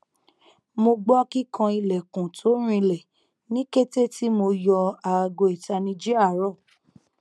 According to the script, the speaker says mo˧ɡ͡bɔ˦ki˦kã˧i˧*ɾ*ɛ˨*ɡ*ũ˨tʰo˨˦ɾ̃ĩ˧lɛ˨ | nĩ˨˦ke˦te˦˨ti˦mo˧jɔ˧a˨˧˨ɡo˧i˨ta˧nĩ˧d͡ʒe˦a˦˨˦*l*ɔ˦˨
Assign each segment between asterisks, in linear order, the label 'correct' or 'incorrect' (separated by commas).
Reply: incorrect, incorrect, incorrect